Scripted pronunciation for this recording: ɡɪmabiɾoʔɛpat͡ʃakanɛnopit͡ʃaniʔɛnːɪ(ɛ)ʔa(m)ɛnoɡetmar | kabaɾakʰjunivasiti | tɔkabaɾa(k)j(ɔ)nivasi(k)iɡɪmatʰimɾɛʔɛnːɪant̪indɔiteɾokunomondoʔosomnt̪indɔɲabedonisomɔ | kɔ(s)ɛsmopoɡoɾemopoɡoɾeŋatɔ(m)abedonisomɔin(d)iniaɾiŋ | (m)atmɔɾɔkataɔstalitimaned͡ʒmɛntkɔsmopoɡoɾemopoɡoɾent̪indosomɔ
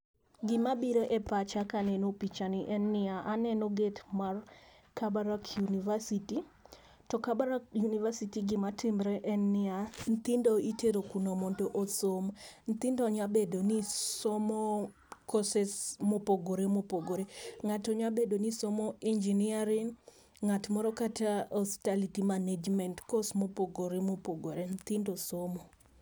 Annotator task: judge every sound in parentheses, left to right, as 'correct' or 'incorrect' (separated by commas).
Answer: incorrect, incorrect, correct, incorrect, incorrect, correct, incorrect, incorrect, incorrect